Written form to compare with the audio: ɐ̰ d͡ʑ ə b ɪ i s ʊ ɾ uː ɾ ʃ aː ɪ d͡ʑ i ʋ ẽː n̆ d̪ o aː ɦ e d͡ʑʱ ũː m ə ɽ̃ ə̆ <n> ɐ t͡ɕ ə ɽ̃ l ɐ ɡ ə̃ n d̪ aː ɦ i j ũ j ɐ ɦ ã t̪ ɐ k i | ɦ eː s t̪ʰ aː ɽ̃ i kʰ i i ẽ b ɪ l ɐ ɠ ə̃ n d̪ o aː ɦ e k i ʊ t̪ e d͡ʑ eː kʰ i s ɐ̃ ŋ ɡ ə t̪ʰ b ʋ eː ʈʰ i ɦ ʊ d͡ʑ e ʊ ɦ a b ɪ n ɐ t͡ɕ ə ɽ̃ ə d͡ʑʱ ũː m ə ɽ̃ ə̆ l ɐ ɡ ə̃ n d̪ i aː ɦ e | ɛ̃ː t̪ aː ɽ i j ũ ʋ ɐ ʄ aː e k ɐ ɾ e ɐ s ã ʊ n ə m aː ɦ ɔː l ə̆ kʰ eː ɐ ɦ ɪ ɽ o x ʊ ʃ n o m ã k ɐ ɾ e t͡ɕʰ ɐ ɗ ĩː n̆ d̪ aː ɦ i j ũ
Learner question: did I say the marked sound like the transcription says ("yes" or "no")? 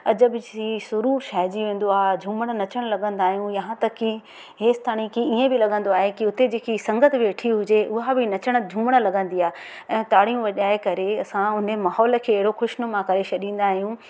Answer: yes